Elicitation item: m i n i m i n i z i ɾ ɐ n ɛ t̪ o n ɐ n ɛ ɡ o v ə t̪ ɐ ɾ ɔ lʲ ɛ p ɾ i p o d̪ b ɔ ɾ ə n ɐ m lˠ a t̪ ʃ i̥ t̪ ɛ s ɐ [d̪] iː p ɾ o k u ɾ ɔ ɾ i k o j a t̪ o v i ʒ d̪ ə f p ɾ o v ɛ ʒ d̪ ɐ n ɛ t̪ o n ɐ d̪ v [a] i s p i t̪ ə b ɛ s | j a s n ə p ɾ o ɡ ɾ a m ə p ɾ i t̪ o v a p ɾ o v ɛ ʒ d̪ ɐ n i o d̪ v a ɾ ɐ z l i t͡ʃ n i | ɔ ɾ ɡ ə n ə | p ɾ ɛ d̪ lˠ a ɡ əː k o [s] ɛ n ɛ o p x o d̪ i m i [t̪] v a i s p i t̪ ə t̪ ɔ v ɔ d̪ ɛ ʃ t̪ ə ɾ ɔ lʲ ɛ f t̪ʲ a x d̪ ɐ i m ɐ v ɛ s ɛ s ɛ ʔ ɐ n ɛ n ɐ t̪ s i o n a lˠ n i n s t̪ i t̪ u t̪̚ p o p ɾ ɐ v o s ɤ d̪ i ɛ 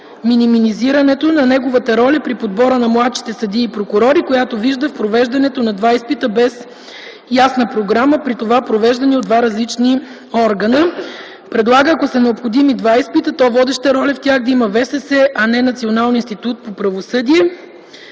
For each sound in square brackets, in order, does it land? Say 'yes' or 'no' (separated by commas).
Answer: yes, yes, yes, no